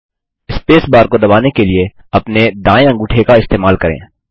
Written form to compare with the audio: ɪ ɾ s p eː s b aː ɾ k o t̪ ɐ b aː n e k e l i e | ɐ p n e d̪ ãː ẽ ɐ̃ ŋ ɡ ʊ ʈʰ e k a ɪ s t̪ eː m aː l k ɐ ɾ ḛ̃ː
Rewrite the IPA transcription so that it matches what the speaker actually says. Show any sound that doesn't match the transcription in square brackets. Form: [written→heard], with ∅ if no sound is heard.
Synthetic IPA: ɪ [ɾ→∅] s p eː s b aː ɾ k o [t̪→d̪] ɐ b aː n e k e l i e | ɐ p n e d̪ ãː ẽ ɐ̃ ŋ ɡ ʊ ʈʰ e k a ɪ s t̪ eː m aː l k ɐ ɾ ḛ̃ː

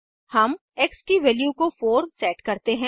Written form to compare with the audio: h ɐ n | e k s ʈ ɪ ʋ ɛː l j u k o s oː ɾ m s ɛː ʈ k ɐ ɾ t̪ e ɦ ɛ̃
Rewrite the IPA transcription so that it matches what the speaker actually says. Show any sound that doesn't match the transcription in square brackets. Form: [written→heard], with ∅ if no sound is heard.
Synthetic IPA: h ɐ [n→m] | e k s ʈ [ɪ→i] ʋ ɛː l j u k o [s→f] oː ɾ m s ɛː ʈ k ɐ ɾ t̪ e ɦ ɛ̃

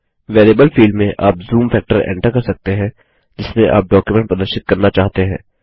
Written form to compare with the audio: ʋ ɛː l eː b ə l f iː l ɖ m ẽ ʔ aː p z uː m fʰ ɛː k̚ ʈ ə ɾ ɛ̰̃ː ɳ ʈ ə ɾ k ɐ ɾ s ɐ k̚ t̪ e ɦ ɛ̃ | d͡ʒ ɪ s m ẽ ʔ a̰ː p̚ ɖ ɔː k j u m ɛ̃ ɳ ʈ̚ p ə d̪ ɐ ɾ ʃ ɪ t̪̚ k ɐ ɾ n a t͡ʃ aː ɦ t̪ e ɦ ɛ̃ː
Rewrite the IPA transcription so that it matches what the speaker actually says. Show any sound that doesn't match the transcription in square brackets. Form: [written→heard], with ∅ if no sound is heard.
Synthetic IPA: ʋ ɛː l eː b ə l f iː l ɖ m ẽ ʔ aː p z uː m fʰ ɛː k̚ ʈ ə ɾ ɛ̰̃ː ɳ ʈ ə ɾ k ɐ ɾ s ɐ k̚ t̪ e ɦ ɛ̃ | d͡ʒ ɪ s m ẽ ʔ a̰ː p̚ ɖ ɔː k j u m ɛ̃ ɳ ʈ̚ p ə d̪ [ɐ→ə] ɾ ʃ ɪ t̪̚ k ɐ ɾ n a t͡ʃ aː ɦ t̪ e ɦ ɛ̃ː

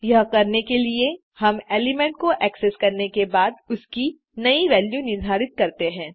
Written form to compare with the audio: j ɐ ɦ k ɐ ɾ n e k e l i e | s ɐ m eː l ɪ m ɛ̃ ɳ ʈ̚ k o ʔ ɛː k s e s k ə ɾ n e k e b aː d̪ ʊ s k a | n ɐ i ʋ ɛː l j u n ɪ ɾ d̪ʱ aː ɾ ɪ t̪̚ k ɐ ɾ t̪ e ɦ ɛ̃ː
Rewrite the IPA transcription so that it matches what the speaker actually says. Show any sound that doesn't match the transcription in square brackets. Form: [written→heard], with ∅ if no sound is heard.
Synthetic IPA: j ɐ ɦ k ɐ ɾ n e k e l i e | [s→h] ɐ m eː l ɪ m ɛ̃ ɳ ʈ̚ k o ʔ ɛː k s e s k [ə→ɐ] ɾ n e k e b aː d̪ ʊ s k [a→i] | n ɐ i ʋ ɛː l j u n ɪ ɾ d̪ʱ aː ɾ ɪ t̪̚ k ɐ ɾ t̪ e ɦ ɛ̃ː

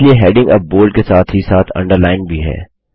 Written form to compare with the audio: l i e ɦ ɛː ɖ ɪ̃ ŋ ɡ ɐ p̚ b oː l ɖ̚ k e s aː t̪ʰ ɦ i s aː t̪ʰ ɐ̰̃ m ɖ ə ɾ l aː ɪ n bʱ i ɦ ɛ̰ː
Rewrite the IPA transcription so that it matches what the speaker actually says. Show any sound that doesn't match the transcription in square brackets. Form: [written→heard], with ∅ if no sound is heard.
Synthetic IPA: l i e ɦ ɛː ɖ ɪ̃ ŋ ɡ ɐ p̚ b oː l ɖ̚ k e s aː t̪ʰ ɦ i s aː t̪ʰ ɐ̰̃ [m→ɳ] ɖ ə ɾ l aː ɪ n bʱ i ɦ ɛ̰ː

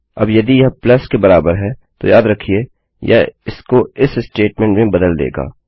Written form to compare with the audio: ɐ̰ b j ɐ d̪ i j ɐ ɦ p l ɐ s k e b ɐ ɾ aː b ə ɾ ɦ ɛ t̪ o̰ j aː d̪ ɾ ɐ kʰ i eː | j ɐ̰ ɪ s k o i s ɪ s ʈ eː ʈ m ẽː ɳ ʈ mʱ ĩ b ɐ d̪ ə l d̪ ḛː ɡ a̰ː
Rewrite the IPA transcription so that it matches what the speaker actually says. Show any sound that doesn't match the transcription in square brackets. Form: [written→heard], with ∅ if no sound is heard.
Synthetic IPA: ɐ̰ b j ɐ d̪ i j ɐ ɦ p l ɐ s k e b ɐ ɾ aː b ə ɾ ɦ ɛ t̪ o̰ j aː d̪ ɾ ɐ kʰ i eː | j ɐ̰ ɪ s k o [i→ɪ] s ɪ s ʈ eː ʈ m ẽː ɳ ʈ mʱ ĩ b ɐ d̪ ə l d̪ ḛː ɡ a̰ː

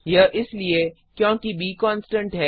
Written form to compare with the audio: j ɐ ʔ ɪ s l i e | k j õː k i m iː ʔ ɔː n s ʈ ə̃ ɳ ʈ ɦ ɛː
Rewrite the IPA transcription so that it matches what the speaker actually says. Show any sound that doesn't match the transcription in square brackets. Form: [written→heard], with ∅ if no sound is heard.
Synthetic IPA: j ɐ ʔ ɪ s l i e | k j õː k i [m→b] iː [ʔ→k] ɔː n s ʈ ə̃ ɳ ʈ ɦ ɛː

